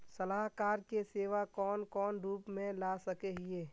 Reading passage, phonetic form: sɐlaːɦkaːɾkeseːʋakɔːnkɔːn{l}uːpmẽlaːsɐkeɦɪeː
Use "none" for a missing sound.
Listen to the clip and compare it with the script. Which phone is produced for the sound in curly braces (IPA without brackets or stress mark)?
ɾ